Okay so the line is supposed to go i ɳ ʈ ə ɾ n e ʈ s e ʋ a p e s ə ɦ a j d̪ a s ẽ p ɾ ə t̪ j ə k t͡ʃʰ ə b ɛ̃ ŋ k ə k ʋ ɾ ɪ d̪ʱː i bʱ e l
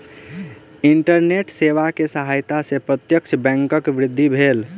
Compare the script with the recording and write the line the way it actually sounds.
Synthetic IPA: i ɳ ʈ ə ɾ n e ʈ s e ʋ a k e s ə ɦ a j t̪ a s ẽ p ɾ ə t̪ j ə k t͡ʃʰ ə b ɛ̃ ŋ k ə k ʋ ɾ ɪ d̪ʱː i bʱ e l

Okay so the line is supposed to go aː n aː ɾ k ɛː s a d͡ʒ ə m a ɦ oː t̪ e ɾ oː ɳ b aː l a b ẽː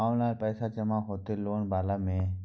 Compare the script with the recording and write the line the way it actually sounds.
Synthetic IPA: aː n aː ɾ p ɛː s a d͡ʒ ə m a ɦ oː t̪ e l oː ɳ b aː l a m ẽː

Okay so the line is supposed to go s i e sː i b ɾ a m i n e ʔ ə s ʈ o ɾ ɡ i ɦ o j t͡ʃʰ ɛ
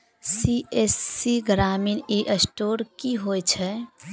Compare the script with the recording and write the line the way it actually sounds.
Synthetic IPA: s i e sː i ɡ ɾ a m i n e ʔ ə s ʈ o ɾ k i ɦ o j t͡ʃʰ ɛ

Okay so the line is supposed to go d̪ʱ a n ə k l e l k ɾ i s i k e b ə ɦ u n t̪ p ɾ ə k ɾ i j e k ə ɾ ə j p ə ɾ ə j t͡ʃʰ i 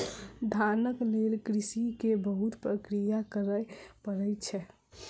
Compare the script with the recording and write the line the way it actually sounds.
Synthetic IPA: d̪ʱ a n ə k l e l k ɾ i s i k e b ə ɦ u t̪ p ɾ ə k ɾ i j a k ə ɾ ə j p ə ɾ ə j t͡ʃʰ ɛ

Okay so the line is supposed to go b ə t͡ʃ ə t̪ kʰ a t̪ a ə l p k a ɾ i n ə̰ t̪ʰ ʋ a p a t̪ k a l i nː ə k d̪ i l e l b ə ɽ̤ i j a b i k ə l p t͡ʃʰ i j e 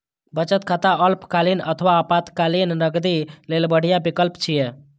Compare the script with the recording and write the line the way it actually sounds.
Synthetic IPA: b ə t͡ʃ ə t̪ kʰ a t̪ a ə l p k a l i n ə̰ t̪ʰ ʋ a p a t̪ k a l i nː ə ɡ d̪ i l e l b ə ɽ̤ i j a b i k ə l p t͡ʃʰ i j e

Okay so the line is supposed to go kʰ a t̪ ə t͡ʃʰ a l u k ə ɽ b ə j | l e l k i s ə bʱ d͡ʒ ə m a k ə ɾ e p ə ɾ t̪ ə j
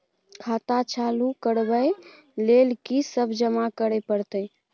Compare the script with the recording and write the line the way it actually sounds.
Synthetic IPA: kʰ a t̪ a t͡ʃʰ a l u k ə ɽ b ə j | l e l k i s ə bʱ d͡ʒ ə m a k ə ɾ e p ə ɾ t̪ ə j

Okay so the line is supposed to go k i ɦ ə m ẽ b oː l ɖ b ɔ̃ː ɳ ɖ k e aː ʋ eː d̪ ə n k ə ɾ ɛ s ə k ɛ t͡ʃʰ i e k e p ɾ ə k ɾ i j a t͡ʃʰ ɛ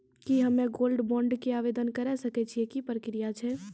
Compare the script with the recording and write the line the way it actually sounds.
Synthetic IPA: k i ɦ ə m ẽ ɡ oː l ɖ b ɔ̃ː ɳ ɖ k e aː ʋ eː d̪ ə n k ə ɾ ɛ s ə k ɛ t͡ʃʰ i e k i p ɾ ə k ɾ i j a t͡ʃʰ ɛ

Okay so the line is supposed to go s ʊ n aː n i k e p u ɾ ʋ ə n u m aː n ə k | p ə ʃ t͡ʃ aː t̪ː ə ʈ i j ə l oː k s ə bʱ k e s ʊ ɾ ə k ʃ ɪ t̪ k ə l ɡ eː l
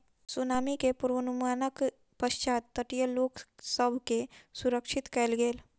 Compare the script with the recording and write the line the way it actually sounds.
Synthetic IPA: s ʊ n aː m i k e p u ɾ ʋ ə n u m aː n ə k | p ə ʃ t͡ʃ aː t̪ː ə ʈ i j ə l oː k s ə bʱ k e s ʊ ɾ ə k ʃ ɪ t̪ k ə l ɡ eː l

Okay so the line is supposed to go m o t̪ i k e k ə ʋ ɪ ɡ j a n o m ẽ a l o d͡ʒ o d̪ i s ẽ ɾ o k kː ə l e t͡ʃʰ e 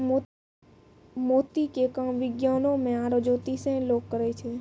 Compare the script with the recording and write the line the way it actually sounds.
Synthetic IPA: m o t̪ i k e k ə ʋ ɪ ɡ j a n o m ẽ a ɾ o d͡ʒ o t̪ i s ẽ l o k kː ə ɾ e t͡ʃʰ e

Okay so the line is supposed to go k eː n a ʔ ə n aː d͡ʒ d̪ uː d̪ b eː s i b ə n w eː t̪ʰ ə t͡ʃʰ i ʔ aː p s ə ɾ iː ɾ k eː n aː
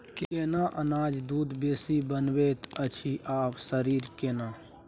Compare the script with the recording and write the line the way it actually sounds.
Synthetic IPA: k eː n a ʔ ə n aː d͡ʒ d̪ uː d̪ b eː s i b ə n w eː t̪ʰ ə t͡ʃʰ i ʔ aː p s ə ɾ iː ɾ k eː n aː

